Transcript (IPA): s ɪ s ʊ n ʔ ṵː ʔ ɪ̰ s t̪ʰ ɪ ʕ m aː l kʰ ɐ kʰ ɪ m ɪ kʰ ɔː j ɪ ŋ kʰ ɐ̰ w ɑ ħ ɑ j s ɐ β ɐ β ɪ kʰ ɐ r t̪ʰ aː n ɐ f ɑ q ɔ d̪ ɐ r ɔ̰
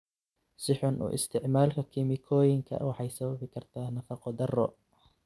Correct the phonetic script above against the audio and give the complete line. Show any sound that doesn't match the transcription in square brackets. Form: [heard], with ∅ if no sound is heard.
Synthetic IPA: s ɪ [ħ] ʊ n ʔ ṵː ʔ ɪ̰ s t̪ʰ ɪ ʕ m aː l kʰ ɐ kʰ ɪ m ɪ kʰ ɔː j ɪ ŋ kʰ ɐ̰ w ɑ ħ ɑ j s ɐ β ɐ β ɪ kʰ ɐ r t̪ʰ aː n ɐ f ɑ q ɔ d̪ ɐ r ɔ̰